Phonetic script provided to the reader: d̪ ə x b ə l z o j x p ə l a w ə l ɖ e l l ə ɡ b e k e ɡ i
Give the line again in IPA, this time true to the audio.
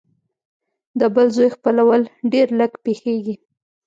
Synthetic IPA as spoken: d̪ ə b ə l z o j x p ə l a w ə l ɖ e ɾ l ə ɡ p e x e ɡ i